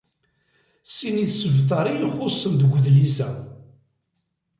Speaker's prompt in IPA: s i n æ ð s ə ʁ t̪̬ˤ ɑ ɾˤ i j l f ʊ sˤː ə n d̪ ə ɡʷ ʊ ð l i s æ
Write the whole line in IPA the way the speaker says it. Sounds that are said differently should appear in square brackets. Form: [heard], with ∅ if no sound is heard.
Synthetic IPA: s i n [i] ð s ə [v] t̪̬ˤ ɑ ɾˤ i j l [χ] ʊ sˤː ə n d̪ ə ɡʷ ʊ ð l i s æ